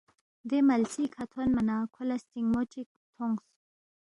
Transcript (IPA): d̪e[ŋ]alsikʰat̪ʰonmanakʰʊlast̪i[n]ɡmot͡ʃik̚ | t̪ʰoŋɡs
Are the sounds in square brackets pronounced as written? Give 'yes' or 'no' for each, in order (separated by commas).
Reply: no, no